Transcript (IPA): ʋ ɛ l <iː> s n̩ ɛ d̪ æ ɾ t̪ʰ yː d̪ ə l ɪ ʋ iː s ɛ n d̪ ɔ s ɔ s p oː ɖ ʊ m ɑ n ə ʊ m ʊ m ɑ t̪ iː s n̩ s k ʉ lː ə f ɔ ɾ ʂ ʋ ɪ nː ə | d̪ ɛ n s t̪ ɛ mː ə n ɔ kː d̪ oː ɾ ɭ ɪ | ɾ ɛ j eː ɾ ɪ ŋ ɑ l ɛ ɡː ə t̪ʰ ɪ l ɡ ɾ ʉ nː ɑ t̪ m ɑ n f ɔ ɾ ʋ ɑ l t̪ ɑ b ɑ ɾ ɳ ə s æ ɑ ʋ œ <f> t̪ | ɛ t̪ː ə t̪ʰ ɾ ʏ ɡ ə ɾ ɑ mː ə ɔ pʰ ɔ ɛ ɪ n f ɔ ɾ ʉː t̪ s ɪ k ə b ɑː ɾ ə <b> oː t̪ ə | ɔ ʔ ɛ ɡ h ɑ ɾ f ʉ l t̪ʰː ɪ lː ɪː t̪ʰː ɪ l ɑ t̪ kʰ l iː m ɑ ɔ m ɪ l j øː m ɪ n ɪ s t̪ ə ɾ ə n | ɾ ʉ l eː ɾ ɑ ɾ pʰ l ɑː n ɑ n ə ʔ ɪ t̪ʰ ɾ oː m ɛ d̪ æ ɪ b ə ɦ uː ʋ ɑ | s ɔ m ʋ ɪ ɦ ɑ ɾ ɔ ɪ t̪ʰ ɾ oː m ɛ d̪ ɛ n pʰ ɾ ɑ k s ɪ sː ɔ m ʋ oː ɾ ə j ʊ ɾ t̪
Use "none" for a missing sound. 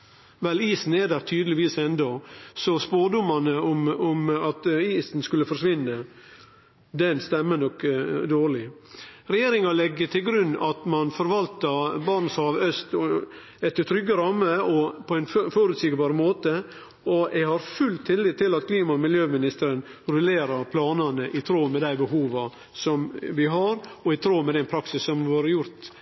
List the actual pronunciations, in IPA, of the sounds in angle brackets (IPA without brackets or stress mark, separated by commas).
iː, s, m